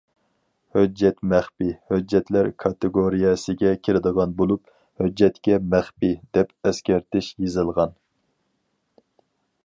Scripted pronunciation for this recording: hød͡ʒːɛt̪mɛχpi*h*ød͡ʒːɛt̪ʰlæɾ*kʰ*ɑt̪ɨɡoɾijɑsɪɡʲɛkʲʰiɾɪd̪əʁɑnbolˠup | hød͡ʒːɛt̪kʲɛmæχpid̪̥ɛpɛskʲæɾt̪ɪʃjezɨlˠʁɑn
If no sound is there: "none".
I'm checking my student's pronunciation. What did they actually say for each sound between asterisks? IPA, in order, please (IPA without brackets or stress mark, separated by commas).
h, kʰ